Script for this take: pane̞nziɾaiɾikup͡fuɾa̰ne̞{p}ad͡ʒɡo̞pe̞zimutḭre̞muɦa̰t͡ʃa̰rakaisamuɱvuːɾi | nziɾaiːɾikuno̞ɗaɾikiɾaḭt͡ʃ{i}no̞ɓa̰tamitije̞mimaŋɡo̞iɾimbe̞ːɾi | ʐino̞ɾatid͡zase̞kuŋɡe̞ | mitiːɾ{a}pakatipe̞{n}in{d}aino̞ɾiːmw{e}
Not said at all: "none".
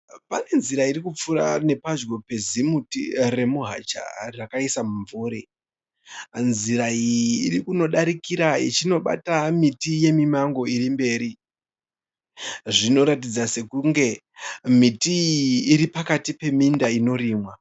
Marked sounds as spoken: p, i, i, m, d, a

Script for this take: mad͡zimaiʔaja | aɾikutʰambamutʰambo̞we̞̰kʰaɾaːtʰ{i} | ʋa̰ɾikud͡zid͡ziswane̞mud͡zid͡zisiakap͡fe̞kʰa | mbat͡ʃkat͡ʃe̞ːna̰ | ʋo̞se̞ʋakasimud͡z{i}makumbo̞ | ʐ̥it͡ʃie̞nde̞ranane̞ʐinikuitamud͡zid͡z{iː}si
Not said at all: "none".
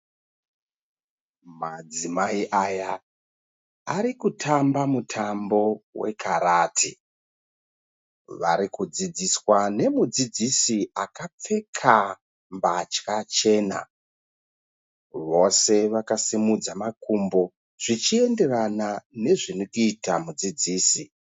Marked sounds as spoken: i, a, iː

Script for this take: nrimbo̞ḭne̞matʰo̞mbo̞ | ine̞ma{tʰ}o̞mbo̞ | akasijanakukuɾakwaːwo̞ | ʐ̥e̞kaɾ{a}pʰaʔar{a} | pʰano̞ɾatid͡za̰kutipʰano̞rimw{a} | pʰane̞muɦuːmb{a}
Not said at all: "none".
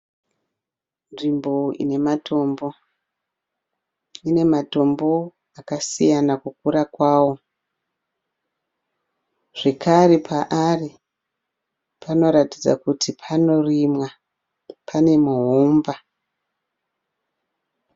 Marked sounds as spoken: t, e, i, a, a

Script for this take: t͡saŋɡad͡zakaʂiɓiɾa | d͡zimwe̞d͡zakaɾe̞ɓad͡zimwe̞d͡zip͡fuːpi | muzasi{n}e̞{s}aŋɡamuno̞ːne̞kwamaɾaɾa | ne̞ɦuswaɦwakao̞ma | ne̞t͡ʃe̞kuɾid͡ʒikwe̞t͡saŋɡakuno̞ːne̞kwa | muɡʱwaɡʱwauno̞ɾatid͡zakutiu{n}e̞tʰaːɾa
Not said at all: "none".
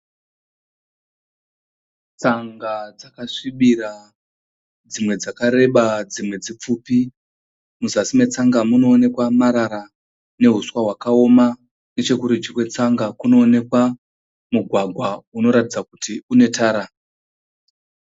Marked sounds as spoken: m, t͡s, n

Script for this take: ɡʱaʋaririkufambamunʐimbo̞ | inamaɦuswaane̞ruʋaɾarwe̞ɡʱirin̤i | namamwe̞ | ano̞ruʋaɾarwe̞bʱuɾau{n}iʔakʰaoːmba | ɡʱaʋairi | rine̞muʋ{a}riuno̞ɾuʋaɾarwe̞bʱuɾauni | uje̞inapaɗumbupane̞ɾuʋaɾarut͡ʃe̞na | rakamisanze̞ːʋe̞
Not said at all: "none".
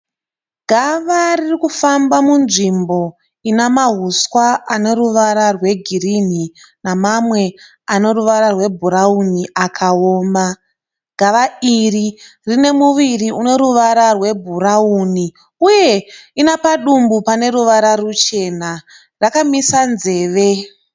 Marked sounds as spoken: n, i

